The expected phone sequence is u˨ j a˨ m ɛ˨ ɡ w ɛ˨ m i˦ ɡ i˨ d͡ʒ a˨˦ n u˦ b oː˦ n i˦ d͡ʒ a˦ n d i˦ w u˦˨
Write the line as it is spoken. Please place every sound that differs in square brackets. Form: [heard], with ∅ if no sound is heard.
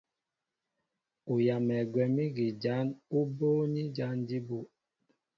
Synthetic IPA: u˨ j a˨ m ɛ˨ ɡ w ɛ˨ m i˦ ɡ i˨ d͡ʒ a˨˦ n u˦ b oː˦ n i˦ d͡ʒ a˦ n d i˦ [b] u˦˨